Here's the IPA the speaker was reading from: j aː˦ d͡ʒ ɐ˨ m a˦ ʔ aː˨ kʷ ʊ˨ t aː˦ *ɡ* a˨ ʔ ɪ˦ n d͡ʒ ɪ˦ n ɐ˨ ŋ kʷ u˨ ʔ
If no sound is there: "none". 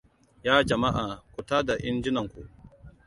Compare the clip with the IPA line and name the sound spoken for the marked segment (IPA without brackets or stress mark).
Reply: d